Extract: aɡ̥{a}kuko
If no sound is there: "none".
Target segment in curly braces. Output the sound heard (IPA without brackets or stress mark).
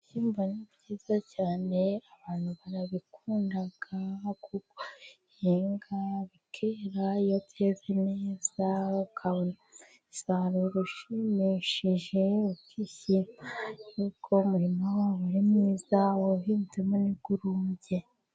a